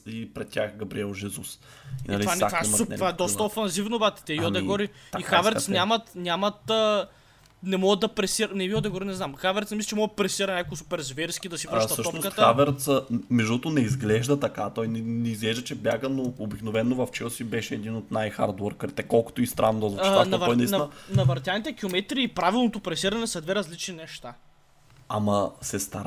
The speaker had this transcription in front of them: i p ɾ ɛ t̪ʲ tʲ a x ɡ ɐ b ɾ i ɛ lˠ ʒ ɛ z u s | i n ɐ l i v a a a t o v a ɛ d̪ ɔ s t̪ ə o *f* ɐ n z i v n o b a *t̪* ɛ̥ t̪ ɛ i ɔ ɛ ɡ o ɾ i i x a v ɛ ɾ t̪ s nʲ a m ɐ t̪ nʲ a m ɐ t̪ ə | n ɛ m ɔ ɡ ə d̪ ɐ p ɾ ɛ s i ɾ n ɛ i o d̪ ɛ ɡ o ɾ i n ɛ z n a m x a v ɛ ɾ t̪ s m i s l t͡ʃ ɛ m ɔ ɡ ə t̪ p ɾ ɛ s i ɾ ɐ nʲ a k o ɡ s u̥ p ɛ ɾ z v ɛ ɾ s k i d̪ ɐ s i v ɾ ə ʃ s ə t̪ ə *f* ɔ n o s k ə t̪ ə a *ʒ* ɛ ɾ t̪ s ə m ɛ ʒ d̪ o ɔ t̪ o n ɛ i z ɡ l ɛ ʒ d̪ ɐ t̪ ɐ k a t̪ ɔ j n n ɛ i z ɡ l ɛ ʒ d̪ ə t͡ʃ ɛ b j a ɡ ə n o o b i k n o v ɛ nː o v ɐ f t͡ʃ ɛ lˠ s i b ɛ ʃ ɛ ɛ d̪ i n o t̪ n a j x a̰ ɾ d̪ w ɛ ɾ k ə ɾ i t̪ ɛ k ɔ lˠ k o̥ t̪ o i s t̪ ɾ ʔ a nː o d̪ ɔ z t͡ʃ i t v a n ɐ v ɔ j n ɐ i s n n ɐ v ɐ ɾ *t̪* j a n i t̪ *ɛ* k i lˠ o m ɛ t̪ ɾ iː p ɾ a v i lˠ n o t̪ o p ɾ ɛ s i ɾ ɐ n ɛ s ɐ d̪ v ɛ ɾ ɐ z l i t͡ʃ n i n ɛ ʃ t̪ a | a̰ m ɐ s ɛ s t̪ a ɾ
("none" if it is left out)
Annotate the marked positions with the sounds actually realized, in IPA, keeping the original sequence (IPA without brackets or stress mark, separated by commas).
f, t̪, ʃ, v, t̪, ɛ